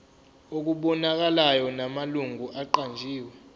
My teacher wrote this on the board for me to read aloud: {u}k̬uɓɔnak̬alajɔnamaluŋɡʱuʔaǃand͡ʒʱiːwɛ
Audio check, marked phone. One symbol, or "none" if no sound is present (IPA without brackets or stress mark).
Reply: o